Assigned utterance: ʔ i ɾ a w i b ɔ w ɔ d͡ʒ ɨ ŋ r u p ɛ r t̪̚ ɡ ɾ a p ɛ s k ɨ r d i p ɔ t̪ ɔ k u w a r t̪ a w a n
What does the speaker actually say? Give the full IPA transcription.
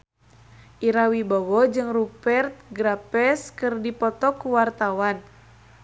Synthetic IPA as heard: ʔ i ɾ a w i b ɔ w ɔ d͡ʒ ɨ ŋ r u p ɛ r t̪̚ ɡ ɾ a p ɛ s k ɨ r d i p ɔ t̪ ɔ k u w a r t̪ a w a n